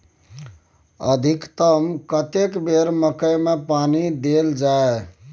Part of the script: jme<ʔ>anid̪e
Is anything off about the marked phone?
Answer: yes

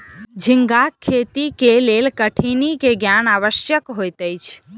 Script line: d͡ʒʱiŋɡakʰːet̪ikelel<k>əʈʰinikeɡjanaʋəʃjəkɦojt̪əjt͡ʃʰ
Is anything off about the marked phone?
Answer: no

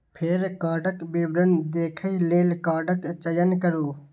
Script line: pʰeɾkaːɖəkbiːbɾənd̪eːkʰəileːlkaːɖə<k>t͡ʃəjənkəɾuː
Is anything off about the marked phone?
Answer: no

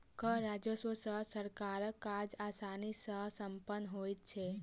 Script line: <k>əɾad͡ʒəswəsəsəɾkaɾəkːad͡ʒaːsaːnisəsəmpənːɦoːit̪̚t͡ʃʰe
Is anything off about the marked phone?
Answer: no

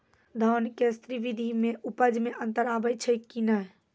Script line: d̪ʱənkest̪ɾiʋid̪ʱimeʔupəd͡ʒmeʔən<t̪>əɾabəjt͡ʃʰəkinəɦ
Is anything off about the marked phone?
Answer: no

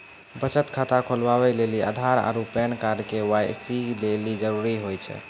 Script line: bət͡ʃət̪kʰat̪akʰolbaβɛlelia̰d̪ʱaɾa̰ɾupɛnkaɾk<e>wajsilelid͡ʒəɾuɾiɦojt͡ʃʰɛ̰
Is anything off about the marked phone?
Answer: no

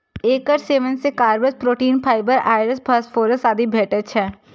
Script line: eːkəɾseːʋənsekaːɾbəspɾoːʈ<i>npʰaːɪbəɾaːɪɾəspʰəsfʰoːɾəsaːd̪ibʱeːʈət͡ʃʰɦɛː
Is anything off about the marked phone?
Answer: yes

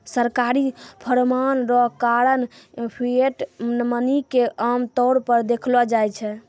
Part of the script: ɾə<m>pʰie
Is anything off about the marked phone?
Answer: yes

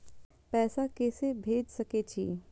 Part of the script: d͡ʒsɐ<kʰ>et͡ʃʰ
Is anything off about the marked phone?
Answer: yes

